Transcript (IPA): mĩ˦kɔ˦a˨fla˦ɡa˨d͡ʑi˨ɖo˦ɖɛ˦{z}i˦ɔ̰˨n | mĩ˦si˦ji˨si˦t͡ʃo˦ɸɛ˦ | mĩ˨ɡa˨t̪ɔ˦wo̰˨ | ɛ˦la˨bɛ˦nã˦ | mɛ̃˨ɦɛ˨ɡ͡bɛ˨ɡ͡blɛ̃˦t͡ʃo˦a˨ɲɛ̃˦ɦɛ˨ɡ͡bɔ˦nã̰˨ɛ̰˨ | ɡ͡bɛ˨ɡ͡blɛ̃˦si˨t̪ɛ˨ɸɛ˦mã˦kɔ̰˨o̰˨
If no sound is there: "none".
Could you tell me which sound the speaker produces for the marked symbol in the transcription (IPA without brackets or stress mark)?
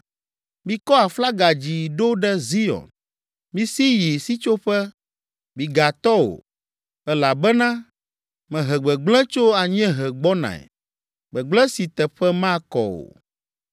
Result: z